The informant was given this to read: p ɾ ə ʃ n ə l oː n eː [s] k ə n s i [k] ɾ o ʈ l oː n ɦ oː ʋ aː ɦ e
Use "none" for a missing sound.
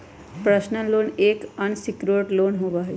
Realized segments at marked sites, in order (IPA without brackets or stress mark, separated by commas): none, k